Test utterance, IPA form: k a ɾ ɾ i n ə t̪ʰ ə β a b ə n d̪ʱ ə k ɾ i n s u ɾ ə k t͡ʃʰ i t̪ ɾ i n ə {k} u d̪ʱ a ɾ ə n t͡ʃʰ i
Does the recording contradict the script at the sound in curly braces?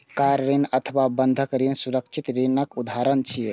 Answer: no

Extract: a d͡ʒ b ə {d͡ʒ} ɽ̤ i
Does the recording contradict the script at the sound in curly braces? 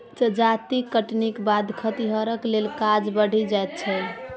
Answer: yes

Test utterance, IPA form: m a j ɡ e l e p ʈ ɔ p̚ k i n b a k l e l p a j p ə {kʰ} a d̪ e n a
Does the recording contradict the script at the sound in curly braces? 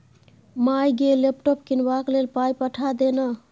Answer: yes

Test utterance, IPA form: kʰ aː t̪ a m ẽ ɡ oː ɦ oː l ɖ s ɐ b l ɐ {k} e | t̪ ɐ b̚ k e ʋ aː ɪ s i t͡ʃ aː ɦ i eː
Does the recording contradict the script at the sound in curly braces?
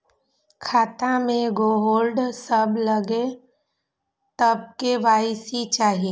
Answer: yes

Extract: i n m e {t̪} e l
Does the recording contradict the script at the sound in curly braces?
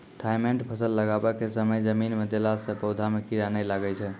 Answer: yes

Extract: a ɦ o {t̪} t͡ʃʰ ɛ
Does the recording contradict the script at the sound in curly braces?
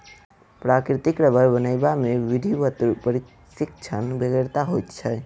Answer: no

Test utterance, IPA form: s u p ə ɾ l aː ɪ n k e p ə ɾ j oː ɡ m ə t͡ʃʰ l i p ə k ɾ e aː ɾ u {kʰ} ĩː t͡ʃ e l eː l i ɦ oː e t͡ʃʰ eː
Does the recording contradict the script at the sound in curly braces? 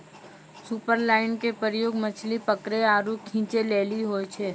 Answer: no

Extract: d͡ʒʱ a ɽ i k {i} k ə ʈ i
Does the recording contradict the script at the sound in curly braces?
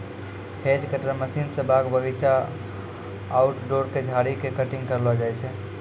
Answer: yes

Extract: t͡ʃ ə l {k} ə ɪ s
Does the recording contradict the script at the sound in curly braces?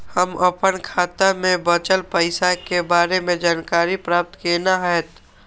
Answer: yes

